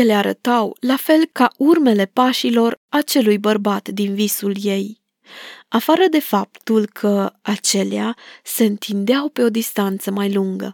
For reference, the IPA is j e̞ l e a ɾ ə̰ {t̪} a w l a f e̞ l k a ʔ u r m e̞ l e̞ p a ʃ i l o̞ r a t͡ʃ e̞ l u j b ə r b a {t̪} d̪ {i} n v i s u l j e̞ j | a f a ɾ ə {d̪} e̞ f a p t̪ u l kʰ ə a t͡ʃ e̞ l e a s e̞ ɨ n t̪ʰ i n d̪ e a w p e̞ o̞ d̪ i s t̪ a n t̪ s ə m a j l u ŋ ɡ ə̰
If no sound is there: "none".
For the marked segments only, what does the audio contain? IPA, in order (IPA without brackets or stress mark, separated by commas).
t̪, t̪, i, d̪